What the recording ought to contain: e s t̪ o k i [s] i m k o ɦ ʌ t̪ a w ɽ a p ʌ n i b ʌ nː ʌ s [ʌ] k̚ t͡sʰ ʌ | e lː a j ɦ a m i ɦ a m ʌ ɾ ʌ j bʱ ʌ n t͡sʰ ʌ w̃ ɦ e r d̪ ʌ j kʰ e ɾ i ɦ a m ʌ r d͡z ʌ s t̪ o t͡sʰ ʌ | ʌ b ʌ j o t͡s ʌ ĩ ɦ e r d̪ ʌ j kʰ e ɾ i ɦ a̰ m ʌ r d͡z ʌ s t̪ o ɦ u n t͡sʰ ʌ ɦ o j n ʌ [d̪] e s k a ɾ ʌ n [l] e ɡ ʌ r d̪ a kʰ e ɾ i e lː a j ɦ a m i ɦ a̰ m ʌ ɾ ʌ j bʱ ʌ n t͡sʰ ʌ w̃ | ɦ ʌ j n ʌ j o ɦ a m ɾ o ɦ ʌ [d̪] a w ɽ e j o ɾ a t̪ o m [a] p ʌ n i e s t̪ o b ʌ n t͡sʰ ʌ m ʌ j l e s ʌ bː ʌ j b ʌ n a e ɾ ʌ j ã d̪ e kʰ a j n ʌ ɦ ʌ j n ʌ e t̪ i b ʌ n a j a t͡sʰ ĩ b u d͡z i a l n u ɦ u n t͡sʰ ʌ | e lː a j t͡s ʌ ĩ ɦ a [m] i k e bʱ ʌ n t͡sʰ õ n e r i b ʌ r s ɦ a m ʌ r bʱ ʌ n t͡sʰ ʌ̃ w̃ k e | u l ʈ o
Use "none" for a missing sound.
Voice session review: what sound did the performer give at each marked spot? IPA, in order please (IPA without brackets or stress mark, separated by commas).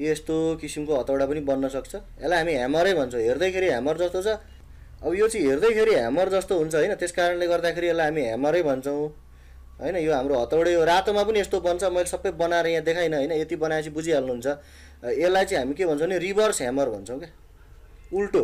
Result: s, ʌ, t̪, l, t̪, a, m